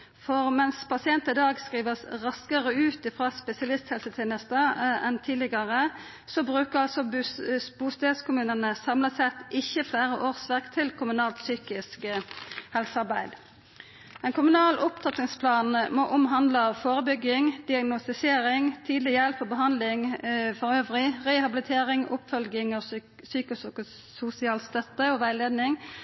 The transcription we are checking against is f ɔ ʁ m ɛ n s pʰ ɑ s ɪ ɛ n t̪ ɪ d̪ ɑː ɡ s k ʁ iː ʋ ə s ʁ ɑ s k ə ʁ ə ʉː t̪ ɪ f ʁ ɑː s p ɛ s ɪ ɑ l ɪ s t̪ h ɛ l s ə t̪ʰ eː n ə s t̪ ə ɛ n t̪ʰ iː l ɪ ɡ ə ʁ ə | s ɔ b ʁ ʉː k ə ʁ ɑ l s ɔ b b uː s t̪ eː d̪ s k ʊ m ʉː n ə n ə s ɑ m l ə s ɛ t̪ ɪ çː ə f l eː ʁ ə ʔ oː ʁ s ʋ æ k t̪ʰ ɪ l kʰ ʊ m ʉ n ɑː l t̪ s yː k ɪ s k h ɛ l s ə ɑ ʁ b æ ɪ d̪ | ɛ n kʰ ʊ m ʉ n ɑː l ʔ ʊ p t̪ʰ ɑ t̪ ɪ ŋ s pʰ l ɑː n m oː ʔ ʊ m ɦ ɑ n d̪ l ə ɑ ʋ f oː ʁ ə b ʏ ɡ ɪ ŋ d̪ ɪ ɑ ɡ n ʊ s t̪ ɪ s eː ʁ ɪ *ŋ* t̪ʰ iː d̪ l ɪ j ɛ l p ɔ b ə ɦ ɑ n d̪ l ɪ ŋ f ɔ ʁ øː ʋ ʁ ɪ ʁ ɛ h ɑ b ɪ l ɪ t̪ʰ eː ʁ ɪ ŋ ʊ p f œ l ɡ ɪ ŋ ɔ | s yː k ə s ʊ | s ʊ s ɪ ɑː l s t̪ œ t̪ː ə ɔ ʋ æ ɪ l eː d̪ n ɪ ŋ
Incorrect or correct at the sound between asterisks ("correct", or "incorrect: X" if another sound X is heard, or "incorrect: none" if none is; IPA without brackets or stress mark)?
correct